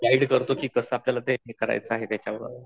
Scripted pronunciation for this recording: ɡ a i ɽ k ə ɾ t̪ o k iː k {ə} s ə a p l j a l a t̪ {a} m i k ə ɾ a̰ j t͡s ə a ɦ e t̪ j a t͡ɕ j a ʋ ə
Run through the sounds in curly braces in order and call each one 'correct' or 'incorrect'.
correct, incorrect: e

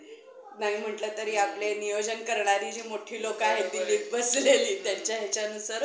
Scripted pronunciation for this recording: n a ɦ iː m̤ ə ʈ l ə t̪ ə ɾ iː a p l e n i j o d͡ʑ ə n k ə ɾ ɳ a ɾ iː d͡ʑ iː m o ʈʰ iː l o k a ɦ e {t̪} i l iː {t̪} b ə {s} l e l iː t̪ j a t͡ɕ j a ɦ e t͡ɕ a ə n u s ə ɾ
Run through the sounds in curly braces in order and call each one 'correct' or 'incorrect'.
incorrect: d̪, incorrect: none, correct

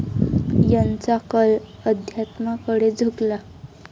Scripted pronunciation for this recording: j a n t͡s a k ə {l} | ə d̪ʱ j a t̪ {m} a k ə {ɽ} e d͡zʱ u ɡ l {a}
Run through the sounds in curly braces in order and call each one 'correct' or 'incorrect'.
correct, correct, correct, correct

